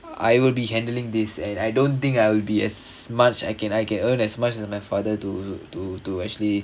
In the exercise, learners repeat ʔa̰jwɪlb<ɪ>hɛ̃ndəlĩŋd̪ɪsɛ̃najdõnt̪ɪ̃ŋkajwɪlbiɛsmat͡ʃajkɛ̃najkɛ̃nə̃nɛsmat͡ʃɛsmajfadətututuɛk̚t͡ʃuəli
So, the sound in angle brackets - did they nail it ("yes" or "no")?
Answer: no